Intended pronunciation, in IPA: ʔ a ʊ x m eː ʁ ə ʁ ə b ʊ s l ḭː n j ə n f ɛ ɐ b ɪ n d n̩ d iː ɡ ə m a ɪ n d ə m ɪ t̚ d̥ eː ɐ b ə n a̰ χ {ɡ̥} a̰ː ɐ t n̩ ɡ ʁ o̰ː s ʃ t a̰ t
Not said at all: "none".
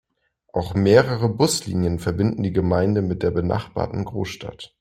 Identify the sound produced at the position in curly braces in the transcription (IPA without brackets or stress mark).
b̥